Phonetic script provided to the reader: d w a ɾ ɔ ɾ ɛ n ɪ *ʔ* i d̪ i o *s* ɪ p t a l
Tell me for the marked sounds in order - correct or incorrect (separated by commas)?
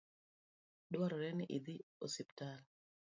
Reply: correct, correct